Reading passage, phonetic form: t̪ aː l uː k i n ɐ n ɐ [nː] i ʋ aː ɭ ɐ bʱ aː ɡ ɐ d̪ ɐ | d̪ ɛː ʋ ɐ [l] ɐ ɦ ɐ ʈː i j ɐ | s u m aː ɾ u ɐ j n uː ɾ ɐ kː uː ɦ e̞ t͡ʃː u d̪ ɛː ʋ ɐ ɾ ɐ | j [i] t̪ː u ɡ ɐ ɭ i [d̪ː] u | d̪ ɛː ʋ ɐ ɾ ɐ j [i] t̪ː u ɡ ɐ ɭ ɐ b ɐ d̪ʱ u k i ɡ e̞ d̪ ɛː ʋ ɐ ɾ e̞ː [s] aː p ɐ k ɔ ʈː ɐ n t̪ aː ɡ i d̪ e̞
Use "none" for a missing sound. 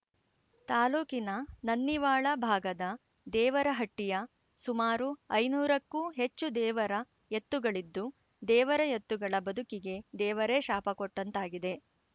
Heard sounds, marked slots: nː, ɾ, e, d̪ː, e, ʃ

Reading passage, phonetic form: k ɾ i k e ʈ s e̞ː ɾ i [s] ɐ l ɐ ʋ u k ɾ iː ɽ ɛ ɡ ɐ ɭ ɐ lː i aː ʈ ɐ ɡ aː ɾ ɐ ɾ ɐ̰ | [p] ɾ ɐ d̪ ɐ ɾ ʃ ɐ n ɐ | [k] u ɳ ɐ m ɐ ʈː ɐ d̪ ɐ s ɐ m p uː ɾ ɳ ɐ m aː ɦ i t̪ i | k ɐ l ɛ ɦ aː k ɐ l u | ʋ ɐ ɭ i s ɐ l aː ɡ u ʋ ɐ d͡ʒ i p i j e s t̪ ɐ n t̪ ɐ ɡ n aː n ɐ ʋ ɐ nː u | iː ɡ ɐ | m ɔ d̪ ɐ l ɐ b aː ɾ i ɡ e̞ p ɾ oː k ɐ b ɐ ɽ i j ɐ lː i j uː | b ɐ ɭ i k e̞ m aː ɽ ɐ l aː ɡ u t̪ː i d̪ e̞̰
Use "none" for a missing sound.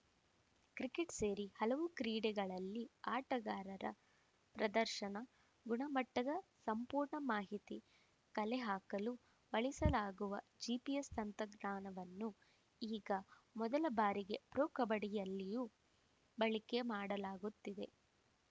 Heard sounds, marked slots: h, p, ɡ

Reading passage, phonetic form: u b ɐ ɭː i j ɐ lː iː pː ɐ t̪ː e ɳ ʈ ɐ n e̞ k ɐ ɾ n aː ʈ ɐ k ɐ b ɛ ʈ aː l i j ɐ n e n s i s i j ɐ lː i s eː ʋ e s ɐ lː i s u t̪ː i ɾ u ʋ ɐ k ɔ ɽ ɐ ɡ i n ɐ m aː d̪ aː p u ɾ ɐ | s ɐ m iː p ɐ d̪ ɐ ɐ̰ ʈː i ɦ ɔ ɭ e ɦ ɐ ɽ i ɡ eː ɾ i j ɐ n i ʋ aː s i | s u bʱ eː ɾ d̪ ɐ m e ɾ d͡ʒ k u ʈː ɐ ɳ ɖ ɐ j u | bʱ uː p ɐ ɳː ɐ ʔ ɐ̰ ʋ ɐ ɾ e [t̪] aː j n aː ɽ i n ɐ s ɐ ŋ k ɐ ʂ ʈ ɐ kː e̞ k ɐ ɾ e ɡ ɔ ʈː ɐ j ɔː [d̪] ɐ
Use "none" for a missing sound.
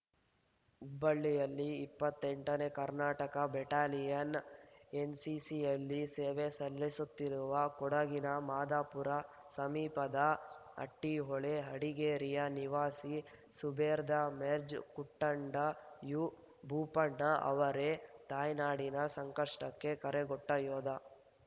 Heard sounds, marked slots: t̪, d̪

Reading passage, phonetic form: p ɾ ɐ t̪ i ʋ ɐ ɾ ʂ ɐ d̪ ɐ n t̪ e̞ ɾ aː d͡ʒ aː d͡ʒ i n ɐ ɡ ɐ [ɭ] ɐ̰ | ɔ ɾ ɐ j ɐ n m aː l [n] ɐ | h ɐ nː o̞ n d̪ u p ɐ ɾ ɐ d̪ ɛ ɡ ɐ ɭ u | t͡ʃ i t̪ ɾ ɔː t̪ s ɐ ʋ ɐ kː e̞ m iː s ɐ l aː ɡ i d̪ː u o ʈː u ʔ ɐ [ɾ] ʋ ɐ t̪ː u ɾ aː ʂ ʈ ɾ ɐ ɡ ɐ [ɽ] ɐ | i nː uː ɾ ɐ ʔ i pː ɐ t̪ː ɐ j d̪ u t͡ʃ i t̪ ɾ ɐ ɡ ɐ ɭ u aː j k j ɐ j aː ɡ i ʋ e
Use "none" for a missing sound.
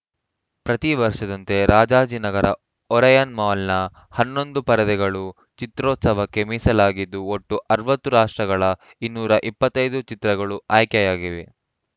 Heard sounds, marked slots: ɾ, n, ɾ, ɭ

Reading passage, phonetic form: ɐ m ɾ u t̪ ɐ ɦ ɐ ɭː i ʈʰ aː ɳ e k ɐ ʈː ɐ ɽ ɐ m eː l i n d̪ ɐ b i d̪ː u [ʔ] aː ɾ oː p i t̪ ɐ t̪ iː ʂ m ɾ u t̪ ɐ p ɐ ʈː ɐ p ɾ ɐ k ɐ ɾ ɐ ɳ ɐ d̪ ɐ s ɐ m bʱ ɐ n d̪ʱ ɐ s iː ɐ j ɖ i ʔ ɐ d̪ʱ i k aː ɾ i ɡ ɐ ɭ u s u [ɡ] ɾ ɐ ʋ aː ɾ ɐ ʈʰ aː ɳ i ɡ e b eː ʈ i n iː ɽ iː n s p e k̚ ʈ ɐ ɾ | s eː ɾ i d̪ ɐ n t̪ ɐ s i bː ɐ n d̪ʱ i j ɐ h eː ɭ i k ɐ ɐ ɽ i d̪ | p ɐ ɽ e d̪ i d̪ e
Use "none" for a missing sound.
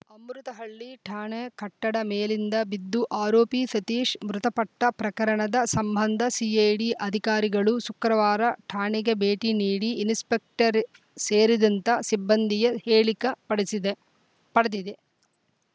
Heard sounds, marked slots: ʔ, k

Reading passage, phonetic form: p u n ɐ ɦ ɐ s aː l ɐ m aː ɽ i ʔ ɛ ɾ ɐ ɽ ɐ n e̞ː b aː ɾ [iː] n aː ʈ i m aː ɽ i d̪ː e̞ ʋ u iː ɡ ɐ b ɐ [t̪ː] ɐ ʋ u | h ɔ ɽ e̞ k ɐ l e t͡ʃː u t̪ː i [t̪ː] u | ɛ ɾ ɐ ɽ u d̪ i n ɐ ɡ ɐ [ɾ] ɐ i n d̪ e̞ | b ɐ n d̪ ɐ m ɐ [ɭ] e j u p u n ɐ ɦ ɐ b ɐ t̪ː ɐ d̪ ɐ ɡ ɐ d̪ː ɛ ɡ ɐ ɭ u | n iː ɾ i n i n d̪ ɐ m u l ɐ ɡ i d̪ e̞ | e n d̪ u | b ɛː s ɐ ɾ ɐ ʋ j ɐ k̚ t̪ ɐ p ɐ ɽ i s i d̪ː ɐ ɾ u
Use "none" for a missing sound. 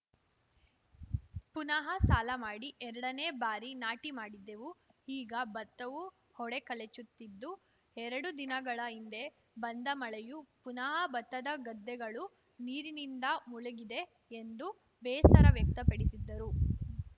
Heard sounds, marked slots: i, t̪ː, d̪ː, ɭ, ɭ

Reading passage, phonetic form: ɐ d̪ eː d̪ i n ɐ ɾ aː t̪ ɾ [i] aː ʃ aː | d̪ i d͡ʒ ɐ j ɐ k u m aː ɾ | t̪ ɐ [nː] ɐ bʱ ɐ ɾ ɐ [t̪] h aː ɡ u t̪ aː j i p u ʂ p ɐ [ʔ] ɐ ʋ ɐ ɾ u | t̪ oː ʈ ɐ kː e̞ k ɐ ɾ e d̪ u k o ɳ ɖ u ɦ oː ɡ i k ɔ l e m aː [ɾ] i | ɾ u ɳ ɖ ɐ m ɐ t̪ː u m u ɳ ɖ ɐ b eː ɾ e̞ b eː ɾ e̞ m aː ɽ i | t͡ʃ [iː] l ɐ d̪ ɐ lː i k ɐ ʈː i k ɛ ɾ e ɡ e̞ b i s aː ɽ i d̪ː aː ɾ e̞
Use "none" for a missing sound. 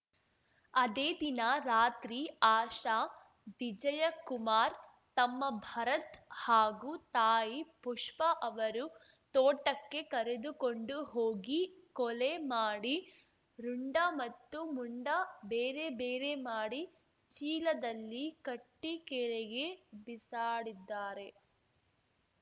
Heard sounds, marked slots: i, mː, t̪, ʔ, ɽ, iː

